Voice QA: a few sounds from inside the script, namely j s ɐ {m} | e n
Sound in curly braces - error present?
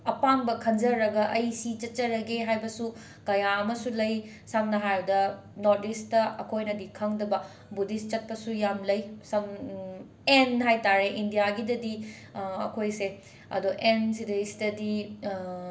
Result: no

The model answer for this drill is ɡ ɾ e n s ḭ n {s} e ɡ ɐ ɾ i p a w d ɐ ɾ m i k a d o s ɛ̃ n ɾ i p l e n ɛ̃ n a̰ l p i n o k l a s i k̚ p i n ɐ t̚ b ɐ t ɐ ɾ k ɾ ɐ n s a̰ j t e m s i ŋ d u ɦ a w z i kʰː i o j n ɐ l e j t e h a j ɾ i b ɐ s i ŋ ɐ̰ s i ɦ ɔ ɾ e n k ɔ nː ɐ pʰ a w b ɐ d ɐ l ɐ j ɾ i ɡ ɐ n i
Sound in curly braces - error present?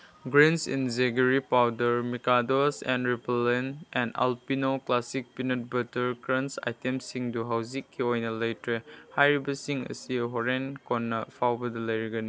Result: yes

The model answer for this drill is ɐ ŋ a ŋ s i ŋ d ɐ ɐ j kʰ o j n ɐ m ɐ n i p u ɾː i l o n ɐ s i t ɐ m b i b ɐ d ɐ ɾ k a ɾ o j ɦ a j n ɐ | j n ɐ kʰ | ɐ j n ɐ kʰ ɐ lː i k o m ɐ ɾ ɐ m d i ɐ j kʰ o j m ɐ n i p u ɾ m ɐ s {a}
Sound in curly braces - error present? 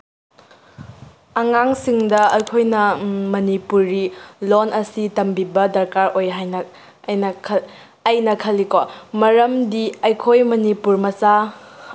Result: no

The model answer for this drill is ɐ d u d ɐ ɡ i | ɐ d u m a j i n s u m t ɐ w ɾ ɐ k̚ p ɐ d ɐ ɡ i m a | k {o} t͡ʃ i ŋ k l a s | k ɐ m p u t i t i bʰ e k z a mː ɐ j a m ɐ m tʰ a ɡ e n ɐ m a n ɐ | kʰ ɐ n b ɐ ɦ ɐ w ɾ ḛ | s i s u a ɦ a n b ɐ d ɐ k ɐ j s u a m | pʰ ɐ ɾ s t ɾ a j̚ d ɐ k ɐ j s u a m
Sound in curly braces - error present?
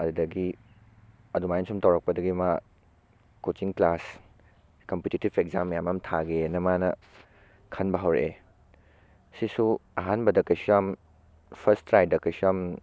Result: no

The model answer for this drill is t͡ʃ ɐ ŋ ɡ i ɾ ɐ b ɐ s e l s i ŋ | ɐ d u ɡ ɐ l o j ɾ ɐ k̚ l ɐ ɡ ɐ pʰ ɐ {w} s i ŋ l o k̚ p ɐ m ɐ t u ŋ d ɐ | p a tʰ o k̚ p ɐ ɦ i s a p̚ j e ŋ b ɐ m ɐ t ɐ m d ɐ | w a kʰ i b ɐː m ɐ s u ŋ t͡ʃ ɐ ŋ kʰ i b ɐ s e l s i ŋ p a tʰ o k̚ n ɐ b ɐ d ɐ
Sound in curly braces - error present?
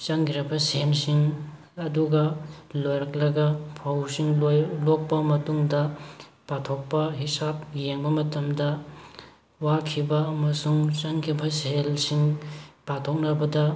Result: no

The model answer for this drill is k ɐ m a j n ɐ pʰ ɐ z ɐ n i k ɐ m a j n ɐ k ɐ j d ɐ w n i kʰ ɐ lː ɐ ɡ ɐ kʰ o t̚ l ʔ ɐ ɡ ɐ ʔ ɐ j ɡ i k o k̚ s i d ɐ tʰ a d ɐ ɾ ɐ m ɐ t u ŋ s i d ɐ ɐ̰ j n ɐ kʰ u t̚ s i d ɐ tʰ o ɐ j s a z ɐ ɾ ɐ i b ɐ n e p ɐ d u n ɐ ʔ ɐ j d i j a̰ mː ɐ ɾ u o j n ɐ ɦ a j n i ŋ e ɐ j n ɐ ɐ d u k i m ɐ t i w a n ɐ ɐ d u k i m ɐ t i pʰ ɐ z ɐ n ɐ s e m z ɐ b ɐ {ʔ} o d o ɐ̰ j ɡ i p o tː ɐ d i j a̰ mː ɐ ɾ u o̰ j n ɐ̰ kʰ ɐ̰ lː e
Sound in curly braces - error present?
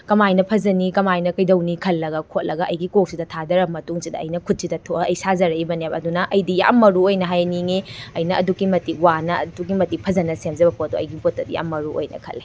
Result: yes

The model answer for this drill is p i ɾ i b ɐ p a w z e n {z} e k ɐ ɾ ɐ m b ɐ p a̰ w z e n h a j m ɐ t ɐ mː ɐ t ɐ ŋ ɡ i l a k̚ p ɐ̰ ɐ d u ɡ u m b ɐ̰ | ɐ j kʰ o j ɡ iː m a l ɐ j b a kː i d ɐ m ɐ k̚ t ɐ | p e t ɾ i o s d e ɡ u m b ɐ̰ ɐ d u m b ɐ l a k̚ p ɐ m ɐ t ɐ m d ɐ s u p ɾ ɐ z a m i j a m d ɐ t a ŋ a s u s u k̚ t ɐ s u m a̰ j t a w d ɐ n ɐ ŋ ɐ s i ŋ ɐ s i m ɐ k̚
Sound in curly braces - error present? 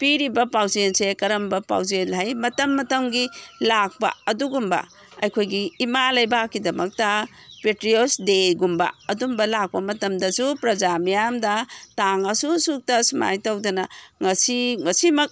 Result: yes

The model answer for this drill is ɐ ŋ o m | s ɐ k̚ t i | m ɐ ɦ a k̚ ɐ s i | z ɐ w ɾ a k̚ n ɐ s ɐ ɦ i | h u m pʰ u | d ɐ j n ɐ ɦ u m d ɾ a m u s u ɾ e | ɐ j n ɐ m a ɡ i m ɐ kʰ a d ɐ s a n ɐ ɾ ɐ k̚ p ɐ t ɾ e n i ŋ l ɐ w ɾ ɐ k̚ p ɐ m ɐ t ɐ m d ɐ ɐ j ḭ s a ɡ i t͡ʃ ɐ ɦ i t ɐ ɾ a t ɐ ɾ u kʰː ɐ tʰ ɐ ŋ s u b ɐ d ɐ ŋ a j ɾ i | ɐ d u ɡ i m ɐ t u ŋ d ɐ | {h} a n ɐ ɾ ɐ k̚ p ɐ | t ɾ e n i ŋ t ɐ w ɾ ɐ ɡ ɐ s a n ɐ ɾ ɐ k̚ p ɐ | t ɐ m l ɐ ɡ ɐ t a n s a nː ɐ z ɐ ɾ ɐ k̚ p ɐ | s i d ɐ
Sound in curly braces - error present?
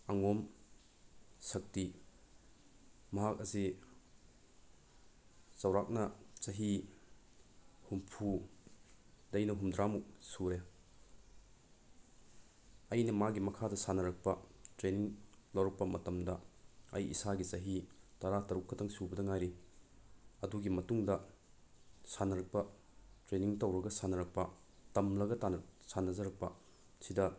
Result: yes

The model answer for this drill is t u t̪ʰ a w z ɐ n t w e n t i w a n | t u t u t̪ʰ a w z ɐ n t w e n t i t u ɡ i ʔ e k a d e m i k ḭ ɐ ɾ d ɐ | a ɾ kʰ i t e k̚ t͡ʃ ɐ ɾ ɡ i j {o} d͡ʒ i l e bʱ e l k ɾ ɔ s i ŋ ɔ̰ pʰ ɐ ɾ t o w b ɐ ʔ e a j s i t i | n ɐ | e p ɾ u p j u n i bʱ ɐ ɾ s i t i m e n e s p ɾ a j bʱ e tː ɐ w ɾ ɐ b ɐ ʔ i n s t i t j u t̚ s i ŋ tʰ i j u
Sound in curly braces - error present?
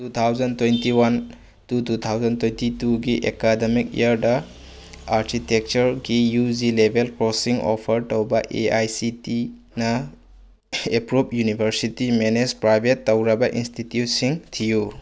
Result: yes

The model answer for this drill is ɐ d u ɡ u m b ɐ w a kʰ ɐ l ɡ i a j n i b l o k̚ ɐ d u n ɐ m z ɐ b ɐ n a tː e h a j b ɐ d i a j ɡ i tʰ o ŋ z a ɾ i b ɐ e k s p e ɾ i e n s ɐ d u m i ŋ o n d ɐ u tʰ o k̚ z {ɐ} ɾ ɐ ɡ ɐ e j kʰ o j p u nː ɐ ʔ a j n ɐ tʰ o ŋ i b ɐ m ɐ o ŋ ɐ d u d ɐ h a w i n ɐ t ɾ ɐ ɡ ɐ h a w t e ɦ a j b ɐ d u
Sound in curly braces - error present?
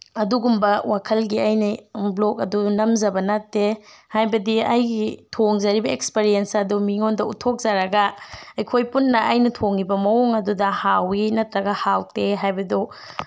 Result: yes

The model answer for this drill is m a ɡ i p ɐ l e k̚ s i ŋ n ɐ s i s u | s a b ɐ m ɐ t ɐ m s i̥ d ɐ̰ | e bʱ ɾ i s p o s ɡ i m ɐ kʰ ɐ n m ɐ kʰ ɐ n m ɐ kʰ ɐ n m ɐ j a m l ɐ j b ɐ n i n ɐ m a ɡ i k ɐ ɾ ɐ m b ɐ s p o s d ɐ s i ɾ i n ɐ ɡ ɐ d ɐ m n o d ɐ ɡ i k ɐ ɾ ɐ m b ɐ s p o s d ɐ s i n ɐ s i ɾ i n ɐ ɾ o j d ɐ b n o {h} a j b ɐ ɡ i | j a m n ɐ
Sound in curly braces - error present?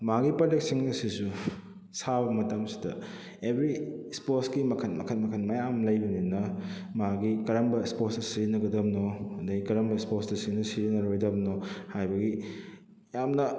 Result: no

